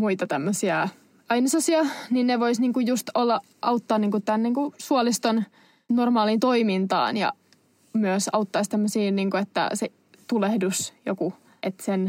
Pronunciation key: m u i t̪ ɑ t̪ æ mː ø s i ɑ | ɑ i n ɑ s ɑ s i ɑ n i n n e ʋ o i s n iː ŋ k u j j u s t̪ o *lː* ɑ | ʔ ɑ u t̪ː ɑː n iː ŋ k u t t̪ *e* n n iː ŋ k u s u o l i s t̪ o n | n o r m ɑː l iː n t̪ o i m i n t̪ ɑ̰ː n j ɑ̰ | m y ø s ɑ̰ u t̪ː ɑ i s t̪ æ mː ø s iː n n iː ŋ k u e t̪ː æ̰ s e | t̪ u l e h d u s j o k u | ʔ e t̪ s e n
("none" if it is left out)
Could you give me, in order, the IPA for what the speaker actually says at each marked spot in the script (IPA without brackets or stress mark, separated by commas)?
lː, æ